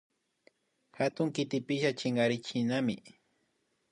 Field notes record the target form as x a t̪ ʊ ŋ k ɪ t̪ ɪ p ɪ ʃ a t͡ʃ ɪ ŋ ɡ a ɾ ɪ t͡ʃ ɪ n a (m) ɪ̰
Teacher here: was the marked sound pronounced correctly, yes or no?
yes